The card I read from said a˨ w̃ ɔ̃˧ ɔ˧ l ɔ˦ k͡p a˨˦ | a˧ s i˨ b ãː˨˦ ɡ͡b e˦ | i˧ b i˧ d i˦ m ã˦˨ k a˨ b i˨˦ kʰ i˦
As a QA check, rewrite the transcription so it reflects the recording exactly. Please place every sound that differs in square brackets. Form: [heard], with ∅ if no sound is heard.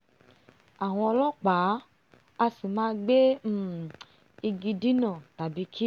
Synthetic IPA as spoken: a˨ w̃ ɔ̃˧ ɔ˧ l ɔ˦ k͡p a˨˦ | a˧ s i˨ [m] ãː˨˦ ɡ͡b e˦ | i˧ [ɡ] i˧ d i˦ [n] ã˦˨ [t] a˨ b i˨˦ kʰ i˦

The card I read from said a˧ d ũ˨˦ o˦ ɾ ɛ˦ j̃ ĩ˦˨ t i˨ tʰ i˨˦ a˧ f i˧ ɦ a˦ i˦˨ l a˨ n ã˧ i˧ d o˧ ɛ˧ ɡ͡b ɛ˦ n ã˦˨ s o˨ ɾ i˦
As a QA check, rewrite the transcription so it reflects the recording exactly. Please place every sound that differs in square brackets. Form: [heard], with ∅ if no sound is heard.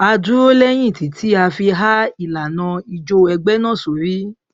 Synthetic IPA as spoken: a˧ d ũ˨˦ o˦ [l] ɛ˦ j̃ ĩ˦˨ t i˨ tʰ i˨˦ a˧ f i˧ ɦ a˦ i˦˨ l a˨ n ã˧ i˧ [d͡ʒ] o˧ ɛ˧ ɡ͡b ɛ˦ n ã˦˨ s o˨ ɾ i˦

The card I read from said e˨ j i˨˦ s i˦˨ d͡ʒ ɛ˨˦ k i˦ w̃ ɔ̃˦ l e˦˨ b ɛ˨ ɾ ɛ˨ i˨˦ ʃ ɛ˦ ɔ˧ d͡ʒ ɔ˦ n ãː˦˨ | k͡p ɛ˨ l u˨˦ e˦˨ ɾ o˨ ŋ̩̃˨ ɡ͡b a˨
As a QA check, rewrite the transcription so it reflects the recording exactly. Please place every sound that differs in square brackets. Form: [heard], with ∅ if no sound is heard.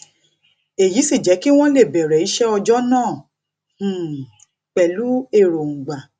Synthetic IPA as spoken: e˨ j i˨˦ s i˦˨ d͡ʒ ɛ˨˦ k i˦ w̃ ɔ̃˦ l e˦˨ b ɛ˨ ɾ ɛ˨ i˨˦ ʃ ɛ˦ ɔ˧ d͡ʒ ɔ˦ n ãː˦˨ | k͡p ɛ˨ l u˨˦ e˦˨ ɾ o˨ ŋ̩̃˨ ɡ͡b a˨

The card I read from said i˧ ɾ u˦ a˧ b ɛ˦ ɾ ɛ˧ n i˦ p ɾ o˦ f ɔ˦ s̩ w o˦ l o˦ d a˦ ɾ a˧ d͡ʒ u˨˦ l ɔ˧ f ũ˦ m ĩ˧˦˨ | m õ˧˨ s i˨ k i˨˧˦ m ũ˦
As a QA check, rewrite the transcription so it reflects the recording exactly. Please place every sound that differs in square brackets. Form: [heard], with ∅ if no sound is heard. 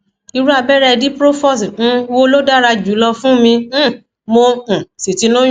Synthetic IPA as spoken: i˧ ɾ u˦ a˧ b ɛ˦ ɾ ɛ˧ [d] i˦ p ɾ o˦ f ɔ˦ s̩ w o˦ l o˦ d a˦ ɾ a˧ d͡ʒ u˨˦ l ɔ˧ f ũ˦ m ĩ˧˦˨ | m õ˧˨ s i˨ [t] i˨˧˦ [n] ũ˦

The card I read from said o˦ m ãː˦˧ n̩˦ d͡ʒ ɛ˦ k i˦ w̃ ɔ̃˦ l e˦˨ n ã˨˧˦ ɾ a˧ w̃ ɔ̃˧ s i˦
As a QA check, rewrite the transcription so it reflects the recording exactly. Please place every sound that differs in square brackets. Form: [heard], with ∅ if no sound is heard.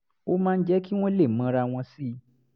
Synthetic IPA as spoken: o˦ m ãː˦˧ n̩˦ d͡ʒ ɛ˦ k i˦ w̃ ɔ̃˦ l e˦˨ [m] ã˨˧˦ ɾ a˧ w̃ ɔ̃˧ s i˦

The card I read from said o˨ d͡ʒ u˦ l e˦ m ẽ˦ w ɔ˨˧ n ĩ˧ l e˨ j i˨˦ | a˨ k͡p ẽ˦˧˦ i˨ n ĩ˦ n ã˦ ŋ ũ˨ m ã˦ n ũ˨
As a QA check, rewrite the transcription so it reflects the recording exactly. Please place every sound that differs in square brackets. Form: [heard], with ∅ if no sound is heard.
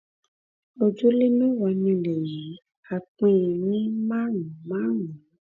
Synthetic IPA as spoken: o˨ d͡ʒ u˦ l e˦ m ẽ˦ w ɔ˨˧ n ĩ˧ l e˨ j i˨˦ | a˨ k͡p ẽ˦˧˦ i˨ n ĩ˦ [m] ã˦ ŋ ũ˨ m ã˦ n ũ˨

